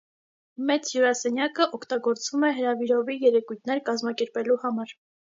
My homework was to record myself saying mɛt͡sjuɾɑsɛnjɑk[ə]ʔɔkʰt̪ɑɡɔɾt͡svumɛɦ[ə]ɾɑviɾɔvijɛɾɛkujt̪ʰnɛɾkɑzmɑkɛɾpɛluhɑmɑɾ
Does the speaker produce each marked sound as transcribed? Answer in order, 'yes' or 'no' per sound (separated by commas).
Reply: yes, yes